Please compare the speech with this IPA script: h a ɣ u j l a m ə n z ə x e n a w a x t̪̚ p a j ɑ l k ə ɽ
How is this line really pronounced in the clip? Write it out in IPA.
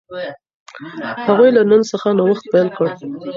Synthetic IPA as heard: h a ɣ u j l a n ə n s ə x a n a w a x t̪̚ p a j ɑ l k ə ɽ